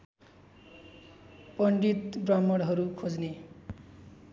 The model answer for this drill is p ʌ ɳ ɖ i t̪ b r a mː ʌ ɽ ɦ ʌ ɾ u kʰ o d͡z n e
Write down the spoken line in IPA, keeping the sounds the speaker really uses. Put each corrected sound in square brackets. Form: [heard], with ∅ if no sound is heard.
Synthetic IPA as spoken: p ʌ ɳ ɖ i t̪ b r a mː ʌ ɽ ɦ ʌ ɾ u kʰ o d͡z n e

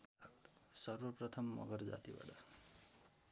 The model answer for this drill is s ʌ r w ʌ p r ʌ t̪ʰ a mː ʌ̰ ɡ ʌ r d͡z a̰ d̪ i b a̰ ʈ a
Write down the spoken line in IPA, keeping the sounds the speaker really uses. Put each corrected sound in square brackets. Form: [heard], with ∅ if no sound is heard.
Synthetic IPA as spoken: s ʌ r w ʌ p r ʌ t̪ʰ [ʌ] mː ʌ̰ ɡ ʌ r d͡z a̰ [t̪] i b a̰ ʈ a

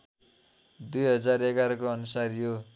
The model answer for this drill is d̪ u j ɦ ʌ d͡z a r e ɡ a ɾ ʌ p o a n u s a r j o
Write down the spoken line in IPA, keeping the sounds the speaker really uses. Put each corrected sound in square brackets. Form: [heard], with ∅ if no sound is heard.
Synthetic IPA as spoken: d̪ u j ɦ ʌ d͡z a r e ɡ a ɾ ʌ [k] o [ʌ] n u s a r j o

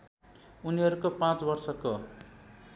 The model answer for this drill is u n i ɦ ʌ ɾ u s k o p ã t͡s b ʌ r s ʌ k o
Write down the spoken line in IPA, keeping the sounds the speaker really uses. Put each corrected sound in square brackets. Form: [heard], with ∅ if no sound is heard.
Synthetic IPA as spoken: u n i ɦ ʌ ɾ u [∅] k o p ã t͡s b ʌ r s ʌ k o

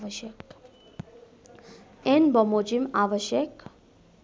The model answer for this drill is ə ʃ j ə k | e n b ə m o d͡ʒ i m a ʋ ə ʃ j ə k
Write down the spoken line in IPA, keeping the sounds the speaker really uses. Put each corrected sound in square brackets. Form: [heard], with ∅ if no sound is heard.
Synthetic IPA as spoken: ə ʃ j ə k | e n b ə m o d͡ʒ i m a ʋ ə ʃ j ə k

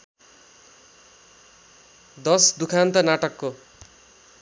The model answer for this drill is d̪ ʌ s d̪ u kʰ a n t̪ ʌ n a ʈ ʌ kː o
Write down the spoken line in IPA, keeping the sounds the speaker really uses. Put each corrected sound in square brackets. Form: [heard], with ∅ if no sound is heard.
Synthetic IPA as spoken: d̪ ʌ s d̪ u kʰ a n t̪ ʌ n a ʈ ʌ kː o

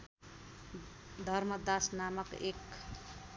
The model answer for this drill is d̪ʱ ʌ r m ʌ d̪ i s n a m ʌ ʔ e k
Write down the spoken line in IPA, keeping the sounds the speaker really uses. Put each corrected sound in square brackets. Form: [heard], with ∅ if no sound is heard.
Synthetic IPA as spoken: d̪ʱ ʌ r m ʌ d̪ [a] s n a m ʌ [k] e k

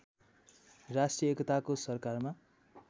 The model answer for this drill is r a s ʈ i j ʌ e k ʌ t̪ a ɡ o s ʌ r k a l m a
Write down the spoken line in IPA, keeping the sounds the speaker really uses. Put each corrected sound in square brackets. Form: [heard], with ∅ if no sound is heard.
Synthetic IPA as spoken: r a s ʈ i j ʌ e k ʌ t̪ a [k] o s ʌ r k a [r] m a

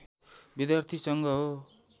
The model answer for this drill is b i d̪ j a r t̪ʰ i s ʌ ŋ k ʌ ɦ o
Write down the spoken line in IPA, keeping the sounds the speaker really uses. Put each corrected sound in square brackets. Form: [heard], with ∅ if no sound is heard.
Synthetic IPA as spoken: b i d̪ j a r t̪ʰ i s ʌ ŋ [ɡ] ʌ ɦ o

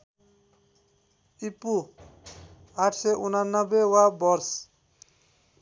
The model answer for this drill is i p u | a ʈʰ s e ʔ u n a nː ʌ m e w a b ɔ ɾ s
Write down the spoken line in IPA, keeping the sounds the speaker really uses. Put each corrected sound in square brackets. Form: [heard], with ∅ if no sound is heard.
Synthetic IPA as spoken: i p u | a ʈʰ s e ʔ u n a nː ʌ [b] e w a b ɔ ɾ s

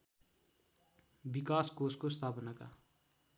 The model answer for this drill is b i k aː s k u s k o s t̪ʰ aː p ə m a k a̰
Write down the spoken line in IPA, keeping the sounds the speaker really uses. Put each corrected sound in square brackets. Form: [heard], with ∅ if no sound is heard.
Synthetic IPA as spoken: b i k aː s k [o] s k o s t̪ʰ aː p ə [n] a k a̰

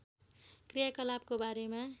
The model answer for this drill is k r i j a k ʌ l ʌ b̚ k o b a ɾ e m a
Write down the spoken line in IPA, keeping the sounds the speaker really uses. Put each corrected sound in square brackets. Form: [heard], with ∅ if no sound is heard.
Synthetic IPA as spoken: k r i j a k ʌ l [a] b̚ k o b a ɾ e m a

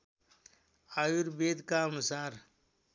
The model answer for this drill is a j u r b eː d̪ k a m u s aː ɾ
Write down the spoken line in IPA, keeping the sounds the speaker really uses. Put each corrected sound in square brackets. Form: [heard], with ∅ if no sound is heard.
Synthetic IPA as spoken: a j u [ɾ] b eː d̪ k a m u s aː ɾ

